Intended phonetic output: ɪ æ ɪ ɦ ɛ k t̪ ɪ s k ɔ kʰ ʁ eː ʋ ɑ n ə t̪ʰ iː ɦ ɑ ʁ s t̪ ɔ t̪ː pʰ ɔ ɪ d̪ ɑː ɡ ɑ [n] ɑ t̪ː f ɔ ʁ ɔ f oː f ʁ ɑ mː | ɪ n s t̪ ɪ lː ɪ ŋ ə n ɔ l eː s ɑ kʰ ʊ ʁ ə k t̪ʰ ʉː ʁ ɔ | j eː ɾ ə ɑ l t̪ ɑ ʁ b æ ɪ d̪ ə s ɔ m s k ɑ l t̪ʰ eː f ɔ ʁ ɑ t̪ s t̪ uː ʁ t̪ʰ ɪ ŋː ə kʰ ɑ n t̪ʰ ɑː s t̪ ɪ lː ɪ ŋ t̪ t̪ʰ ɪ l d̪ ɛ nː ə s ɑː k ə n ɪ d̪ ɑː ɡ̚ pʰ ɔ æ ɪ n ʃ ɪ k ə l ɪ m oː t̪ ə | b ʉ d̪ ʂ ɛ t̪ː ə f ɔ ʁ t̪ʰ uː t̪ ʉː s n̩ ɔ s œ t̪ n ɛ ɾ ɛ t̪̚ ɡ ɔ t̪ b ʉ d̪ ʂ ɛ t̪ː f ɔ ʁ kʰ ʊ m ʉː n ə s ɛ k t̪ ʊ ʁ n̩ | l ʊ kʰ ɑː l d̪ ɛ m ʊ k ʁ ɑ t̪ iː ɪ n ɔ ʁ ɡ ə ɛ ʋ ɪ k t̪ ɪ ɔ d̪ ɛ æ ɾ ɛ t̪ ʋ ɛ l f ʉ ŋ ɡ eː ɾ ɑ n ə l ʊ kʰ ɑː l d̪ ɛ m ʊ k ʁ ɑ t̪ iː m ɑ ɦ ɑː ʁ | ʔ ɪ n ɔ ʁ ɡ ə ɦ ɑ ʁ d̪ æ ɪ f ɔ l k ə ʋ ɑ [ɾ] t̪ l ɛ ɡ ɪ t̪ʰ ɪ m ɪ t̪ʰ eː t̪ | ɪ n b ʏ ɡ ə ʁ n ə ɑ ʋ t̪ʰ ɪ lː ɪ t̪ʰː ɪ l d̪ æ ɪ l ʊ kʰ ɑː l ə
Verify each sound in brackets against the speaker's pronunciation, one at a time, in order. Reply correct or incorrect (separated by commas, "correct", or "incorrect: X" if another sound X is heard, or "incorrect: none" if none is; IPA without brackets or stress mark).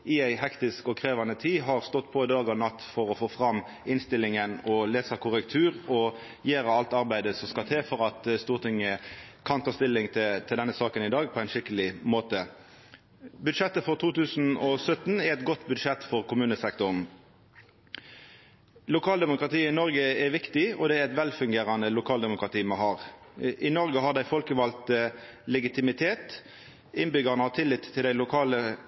correct, incorrect: l